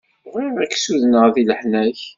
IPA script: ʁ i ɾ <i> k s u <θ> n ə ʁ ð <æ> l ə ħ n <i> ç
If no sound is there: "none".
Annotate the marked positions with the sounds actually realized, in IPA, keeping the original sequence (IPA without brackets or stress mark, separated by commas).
æ, ð, i, æ